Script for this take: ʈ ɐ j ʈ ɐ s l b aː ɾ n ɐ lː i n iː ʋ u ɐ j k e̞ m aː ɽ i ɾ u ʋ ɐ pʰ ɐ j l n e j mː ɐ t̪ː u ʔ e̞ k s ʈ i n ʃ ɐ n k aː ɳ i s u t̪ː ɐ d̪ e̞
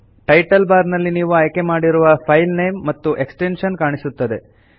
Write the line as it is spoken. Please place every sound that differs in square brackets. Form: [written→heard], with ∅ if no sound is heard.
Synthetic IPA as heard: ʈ ɐ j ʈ ɐ [s→∅] l b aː ɾ n ɐ lː i n iː ʋ u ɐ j k e̞ m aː ɽ i ɾ u ʋ ɐ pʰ ɐ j l n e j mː ɐ t̪ː u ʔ e̞ k s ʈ [i→e] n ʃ ɐ n k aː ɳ i s u t̪ː ɐ d̪ e̞